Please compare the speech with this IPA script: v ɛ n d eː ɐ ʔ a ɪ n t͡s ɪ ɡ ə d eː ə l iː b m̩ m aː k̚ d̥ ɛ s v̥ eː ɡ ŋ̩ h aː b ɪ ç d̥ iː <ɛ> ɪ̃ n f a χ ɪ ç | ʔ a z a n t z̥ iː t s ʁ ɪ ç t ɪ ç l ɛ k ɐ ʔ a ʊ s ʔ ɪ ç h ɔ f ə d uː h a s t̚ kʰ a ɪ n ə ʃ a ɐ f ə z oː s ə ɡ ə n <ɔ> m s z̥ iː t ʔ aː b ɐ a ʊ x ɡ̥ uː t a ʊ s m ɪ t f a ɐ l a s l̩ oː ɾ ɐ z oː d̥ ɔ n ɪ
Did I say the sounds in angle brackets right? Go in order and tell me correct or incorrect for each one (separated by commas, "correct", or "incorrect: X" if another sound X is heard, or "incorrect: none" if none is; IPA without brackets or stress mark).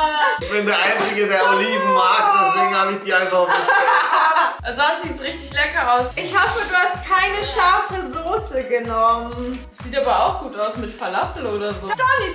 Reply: incorrect: a, correct